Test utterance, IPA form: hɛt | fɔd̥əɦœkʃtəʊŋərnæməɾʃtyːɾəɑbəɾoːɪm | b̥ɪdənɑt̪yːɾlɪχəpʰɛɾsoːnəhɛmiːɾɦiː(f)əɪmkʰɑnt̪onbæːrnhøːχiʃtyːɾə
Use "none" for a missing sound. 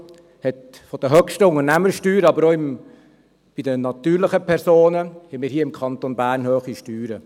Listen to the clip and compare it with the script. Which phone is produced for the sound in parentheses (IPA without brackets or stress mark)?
none